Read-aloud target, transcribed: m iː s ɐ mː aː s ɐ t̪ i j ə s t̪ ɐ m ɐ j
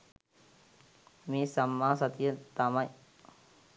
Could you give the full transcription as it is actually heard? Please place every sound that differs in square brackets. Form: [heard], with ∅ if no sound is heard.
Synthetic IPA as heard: m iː s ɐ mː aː s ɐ t̪ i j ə [∅] t̪ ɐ m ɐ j

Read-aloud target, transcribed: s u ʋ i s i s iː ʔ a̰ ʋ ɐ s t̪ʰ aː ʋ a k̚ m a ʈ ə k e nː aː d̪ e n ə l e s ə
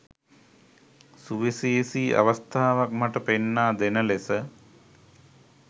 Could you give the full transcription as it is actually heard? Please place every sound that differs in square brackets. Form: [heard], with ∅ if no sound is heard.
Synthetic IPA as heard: s u ʋ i s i s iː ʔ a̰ ʋ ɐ s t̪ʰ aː ʋ a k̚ m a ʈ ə [p] e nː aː d̪ e n ə l e s ə

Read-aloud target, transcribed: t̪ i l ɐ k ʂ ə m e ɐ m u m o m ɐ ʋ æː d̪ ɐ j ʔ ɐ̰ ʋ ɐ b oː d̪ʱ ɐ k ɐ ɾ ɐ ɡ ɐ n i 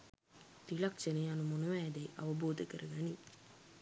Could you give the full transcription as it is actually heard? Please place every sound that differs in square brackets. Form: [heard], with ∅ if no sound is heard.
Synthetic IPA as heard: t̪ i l ɐ k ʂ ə [n] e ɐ [n] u m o [n] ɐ ʋ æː d̪ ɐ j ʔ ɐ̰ ʋ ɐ b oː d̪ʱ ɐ k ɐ ɾ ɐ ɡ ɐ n i

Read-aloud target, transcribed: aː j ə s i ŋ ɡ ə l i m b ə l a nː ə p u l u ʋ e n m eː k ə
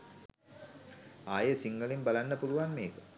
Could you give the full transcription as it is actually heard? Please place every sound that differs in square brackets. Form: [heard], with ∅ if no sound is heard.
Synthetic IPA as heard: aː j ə s i ŋ ɡ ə l i m b [a] l a nː ə p u l u ʋ [a] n m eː k ə

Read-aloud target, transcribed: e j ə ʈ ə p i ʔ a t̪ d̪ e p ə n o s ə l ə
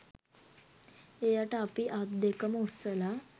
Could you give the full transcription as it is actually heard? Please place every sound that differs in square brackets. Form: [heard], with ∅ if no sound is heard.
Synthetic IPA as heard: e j [a] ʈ [a] p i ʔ a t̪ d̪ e [k] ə [m] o s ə l [a]

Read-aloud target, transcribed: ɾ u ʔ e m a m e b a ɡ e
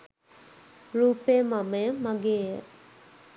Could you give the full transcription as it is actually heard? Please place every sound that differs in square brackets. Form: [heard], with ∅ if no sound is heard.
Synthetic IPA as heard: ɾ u [p] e m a m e [m] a ɡ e

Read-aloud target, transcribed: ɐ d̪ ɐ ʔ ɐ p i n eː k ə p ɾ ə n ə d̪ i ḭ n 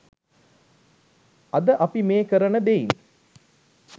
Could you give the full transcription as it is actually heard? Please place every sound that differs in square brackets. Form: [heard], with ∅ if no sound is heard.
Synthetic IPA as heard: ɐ d̪ [ə] ʔ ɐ p i [m] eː k ə [∅] ɾ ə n ə d̪ [e] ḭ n

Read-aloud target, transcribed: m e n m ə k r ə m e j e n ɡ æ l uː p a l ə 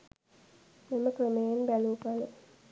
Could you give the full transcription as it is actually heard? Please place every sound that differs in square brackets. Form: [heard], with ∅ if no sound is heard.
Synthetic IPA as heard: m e [∅] m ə k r ə m e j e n [b] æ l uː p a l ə

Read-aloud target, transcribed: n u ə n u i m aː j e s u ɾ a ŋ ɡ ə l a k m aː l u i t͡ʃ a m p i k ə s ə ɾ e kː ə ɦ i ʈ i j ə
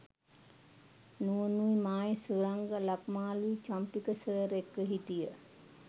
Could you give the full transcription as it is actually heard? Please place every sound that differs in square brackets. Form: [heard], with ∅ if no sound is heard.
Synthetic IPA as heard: n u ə n u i m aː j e s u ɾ a ŋ ɡ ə l a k m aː l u i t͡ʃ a m p i k ə s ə ɾ e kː ə ɦ i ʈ i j ə

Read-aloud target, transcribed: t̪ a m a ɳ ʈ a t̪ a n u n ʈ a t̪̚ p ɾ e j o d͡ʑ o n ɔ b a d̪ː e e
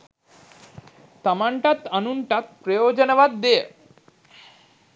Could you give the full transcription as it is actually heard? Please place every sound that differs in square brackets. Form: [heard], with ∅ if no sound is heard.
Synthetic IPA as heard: t̪ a m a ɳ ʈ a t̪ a n u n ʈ a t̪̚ p ɾ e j o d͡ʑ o n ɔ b a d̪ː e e

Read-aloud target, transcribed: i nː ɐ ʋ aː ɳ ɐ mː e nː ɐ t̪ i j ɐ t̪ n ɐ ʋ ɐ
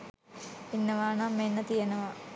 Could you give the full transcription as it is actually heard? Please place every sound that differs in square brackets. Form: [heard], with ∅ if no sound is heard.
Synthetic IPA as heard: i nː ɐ ʋ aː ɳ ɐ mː e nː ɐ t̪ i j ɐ [∅] n ɐ ʋ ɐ

